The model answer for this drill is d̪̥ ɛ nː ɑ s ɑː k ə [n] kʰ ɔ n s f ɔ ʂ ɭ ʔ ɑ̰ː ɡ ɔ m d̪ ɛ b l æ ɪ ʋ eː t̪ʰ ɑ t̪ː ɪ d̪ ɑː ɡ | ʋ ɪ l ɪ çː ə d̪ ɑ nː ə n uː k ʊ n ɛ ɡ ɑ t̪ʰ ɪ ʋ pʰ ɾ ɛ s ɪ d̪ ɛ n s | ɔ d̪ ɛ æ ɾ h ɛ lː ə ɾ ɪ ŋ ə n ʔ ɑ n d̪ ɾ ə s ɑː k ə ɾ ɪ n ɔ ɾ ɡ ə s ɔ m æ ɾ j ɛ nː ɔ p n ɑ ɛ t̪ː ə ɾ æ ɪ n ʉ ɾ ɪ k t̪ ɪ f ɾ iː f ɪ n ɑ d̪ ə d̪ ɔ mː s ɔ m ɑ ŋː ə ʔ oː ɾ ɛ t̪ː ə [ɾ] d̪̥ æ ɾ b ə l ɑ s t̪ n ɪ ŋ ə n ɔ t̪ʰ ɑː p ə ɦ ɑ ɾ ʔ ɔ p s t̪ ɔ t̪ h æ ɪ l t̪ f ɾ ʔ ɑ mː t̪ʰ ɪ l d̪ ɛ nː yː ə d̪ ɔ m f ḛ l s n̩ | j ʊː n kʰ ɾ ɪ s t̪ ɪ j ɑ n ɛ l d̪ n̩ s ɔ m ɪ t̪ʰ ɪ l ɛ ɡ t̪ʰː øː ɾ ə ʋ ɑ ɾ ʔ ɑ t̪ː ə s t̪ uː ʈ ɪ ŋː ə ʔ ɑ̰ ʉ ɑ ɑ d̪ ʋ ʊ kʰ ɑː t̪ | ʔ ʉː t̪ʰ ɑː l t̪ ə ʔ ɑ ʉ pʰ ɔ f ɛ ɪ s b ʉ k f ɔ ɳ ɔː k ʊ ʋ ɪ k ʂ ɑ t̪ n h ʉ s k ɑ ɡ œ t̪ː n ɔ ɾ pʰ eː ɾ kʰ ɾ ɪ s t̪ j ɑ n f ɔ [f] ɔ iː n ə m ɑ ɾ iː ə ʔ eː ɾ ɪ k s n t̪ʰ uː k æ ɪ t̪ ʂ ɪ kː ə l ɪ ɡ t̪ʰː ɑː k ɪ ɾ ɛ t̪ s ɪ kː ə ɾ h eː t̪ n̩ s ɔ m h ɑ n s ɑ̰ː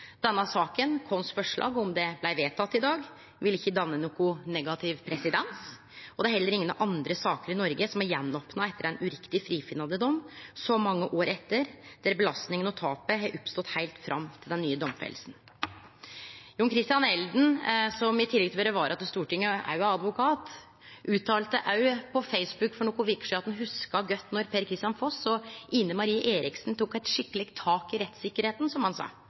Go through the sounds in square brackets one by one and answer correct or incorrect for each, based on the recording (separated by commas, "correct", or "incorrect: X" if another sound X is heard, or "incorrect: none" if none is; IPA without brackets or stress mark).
correct, correct, incorrect: s